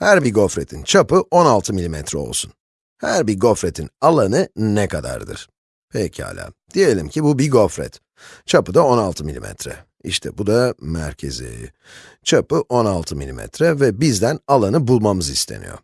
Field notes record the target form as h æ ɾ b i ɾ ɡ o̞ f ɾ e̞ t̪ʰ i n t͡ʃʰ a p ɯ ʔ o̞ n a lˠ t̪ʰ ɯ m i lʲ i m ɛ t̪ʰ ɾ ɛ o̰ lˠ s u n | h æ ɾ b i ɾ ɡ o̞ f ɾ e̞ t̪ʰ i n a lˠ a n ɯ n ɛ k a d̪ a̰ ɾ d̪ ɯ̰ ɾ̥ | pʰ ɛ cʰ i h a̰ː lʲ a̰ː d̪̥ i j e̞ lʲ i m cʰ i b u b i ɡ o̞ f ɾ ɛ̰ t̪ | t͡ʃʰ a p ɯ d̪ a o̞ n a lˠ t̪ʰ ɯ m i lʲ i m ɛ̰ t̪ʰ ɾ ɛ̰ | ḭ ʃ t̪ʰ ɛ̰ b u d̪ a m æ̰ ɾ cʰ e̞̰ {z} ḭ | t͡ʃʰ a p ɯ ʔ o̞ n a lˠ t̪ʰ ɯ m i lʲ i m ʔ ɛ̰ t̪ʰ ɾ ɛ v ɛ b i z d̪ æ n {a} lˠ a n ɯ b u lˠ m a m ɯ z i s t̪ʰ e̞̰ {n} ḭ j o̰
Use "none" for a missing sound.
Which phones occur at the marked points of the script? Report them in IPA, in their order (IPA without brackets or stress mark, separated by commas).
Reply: z, a, n